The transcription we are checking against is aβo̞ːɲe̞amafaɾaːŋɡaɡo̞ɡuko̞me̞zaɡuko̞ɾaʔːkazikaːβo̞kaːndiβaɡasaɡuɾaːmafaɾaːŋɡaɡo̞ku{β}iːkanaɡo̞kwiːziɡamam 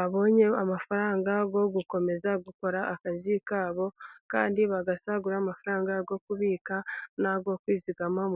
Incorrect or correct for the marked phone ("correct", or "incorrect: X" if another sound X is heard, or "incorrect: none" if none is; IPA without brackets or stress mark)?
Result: correct